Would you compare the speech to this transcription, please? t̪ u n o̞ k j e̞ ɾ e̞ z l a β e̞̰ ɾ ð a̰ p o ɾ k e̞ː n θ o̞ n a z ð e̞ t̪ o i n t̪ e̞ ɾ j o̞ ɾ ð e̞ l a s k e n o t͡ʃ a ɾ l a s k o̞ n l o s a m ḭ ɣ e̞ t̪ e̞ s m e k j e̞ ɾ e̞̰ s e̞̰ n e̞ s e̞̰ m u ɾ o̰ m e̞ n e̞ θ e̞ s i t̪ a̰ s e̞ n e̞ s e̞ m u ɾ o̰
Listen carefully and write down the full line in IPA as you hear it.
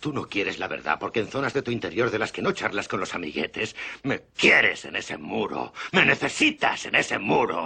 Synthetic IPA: t̪ u n o̞ k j e̞ ɾ e̞ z l a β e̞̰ ɾ ð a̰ p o ɾ k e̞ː n θ o̞ n a z ð e̞ t̪ u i n t̪ e̞ ɾ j o̞ ɾ ð e̞ l a s k e n o t͡ʃ a ɾ l a s k o̞ n l o s a m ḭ ɣ e̞ t̪ e̞ s m e k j e̞ ɾ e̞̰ s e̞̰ n e̞ s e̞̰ m u ɾ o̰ m e̞ n e̞ θ e̞ s i t̪ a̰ s e̞ n e̞ s e̞ m u ɾ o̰